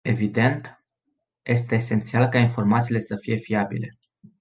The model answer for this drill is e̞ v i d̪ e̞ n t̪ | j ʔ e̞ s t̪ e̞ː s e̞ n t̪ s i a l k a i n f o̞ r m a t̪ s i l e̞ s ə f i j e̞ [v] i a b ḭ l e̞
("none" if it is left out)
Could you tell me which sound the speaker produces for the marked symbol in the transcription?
f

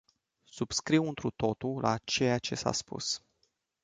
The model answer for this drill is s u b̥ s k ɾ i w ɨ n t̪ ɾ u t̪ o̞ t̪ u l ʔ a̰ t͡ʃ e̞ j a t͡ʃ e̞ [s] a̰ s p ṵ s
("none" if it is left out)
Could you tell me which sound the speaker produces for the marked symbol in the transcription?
s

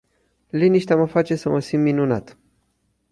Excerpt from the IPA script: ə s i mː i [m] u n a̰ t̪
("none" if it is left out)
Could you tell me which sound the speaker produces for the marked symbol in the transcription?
n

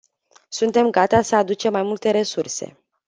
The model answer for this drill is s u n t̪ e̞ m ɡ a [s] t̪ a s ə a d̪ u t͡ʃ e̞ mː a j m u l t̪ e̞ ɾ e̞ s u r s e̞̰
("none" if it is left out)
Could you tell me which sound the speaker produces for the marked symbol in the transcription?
none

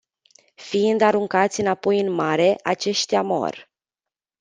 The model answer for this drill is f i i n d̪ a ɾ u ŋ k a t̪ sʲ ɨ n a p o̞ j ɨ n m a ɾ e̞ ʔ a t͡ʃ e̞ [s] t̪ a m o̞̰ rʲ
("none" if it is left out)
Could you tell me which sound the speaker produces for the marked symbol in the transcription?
ʃ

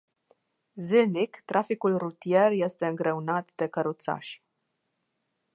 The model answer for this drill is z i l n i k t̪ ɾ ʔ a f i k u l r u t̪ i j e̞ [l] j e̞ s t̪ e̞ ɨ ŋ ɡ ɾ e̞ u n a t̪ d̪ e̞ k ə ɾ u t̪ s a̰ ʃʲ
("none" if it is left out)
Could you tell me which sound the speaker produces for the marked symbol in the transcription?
r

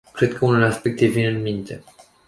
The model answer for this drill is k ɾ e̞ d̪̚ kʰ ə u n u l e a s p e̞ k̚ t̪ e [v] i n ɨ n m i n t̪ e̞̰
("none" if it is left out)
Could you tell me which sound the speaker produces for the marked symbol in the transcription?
v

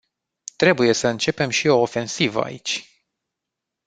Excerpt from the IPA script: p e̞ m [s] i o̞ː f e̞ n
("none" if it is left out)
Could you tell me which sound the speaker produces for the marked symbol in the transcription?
ʃ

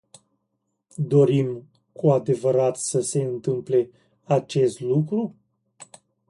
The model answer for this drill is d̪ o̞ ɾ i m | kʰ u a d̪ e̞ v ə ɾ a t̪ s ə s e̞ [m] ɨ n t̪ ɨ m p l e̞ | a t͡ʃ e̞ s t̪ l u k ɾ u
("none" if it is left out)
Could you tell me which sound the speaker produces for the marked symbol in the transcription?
none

